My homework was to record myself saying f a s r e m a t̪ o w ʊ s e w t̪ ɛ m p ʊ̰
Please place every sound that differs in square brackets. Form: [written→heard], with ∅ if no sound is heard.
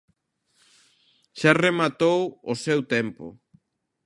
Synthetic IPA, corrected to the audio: [f→ʃ] a [s→∅] r e m a t̪ o w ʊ s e w t̪ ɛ m p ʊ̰